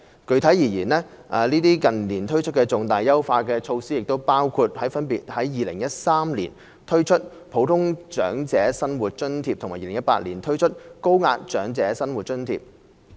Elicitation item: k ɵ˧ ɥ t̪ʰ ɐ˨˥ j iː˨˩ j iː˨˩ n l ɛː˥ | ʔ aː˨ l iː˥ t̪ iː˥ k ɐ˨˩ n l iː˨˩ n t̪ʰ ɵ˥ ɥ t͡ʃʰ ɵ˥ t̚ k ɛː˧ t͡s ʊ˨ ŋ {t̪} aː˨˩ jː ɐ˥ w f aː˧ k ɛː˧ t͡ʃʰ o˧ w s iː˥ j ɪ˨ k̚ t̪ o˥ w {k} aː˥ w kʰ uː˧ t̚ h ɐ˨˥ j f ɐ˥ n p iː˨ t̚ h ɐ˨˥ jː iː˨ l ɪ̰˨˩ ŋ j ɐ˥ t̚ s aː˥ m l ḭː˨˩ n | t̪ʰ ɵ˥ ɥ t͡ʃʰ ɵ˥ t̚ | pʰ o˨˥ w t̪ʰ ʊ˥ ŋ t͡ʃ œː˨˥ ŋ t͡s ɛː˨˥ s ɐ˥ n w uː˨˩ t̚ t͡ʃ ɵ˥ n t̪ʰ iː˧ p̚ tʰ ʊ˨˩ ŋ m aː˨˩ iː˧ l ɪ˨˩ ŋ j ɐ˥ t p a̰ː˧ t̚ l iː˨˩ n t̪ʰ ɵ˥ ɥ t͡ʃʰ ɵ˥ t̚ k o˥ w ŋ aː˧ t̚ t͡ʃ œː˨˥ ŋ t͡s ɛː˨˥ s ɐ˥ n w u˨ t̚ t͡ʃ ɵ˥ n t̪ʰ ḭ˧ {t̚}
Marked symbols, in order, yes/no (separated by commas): yes, no, no